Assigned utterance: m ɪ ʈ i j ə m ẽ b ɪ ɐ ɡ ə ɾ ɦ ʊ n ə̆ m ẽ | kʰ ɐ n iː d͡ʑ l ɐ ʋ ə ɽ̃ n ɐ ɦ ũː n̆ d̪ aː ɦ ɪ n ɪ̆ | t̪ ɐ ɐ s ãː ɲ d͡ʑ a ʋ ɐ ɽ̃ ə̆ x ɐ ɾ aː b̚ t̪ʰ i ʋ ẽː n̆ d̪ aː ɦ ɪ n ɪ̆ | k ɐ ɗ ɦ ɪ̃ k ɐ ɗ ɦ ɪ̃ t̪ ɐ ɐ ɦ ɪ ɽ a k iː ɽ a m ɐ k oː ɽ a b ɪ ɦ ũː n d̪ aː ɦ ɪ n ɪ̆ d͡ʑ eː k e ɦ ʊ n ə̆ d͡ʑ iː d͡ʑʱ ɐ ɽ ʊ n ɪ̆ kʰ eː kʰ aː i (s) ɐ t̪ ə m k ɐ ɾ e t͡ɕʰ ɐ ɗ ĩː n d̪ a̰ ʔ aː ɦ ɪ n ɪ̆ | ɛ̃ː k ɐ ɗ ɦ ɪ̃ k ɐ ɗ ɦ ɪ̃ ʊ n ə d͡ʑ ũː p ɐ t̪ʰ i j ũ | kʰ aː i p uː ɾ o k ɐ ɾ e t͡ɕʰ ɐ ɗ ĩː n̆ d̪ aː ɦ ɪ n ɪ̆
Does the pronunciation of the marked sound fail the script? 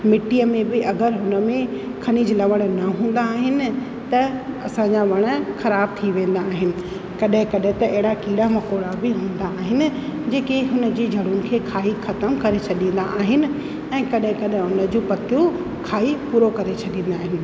yes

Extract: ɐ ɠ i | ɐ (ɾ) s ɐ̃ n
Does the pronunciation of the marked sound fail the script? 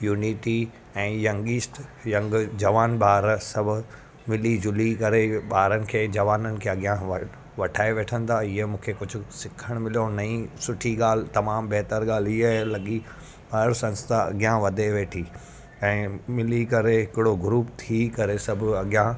no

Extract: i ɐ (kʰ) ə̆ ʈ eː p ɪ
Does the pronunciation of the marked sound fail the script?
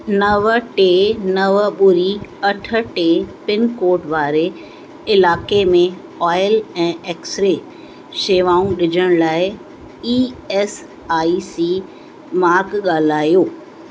yes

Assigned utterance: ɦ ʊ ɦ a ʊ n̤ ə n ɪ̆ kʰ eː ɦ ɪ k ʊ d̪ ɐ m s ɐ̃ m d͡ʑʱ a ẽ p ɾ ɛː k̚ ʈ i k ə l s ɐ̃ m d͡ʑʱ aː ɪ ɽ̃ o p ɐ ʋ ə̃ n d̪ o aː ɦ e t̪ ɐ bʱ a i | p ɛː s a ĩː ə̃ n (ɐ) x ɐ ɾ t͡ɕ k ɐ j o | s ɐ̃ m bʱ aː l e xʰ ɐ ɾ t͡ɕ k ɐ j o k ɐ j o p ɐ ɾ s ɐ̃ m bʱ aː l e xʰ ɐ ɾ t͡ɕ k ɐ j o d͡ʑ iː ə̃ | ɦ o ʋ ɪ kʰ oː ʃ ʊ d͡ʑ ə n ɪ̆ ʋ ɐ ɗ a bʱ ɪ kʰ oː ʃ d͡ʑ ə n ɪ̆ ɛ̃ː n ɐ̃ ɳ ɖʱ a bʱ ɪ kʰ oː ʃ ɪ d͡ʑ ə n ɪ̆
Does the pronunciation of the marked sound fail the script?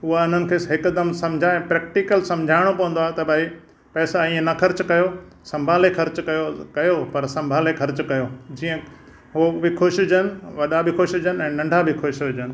no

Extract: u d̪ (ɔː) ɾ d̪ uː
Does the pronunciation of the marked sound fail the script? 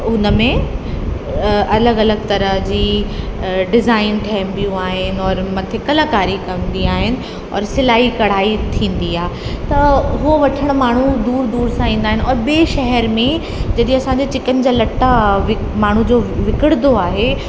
yes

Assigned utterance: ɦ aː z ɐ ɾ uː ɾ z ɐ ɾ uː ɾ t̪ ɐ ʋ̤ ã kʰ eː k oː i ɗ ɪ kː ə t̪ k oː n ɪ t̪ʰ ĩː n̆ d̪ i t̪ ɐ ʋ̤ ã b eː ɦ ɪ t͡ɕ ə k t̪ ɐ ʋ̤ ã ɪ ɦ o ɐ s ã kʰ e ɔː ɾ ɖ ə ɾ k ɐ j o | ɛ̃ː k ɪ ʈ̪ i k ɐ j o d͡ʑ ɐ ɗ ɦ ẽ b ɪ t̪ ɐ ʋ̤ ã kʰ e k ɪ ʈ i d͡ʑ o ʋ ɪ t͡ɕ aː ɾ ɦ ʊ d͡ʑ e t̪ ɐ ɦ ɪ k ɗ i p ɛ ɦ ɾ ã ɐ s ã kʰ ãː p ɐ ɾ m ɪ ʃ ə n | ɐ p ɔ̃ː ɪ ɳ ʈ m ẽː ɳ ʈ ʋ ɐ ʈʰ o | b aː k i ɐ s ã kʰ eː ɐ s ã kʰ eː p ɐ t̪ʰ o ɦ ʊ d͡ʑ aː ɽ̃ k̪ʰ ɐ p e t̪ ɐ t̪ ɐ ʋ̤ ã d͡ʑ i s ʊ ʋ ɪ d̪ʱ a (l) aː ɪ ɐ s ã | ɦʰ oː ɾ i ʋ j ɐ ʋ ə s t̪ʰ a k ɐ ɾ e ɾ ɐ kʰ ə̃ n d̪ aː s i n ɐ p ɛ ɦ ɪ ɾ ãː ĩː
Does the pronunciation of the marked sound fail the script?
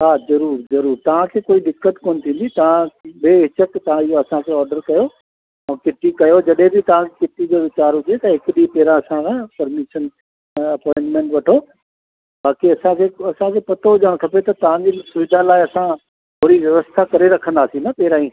no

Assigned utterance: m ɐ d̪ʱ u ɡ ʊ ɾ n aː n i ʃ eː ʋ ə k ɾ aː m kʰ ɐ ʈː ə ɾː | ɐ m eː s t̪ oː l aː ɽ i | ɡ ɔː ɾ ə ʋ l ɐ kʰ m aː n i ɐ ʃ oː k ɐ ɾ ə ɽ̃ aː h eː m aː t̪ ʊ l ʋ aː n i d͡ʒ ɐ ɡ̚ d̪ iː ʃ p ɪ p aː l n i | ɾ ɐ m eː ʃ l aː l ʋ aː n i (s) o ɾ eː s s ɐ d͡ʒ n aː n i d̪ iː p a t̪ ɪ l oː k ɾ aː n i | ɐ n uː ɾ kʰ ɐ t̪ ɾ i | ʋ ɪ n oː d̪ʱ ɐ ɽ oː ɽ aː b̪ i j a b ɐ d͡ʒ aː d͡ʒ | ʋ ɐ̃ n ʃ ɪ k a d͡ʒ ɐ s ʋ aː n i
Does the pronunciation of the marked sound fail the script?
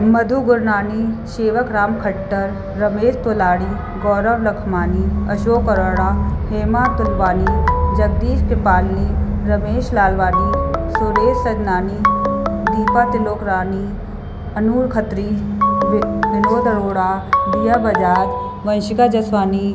no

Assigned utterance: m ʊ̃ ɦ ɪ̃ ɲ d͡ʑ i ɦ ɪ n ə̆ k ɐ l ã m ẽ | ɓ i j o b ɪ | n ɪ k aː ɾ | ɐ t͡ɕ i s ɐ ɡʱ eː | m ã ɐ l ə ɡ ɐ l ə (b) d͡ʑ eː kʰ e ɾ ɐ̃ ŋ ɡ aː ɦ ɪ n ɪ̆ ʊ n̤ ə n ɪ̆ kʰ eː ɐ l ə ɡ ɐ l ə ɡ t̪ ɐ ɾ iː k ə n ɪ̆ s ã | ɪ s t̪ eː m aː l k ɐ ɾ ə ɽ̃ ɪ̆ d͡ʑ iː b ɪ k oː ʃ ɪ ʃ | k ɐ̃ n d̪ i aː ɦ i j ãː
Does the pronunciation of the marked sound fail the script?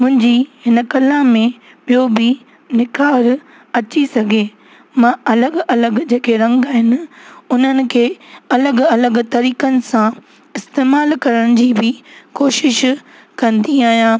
yes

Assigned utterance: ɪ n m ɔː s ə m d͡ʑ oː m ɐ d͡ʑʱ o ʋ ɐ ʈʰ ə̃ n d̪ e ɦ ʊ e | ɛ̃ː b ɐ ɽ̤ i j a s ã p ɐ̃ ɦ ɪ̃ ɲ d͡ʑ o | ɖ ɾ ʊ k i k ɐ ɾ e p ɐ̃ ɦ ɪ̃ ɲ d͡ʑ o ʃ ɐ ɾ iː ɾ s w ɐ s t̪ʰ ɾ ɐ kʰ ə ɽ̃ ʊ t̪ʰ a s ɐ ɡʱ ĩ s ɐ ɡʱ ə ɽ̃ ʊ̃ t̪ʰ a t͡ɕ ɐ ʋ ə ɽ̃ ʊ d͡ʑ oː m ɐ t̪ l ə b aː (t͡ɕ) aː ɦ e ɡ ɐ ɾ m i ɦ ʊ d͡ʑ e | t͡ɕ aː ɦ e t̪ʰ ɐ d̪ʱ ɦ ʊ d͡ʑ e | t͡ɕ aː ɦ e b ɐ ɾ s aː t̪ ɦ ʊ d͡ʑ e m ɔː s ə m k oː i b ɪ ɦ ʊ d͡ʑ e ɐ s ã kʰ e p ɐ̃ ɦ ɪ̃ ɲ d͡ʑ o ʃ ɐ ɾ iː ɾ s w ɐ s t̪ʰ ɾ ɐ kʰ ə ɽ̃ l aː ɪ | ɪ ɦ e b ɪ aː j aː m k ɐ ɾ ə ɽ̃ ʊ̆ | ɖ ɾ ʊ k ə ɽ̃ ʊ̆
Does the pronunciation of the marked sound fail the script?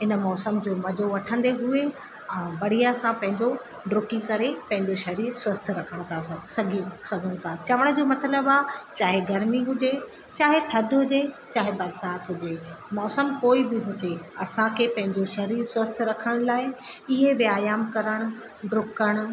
no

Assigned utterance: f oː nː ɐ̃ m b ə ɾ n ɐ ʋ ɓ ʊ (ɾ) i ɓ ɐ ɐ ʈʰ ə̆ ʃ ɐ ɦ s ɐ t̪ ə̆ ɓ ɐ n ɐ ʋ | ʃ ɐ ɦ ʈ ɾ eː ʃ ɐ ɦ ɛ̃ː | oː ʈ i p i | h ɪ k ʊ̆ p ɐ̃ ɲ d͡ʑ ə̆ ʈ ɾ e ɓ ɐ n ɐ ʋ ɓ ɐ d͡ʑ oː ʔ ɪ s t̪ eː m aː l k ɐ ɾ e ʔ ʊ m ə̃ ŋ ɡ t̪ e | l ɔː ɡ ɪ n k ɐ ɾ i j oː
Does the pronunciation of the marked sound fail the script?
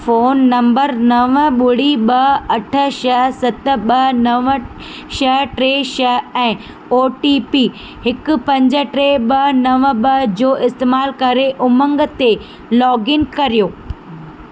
yes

